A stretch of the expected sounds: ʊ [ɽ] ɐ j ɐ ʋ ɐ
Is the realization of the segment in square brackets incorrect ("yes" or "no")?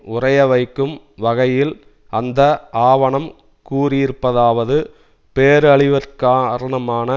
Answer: yes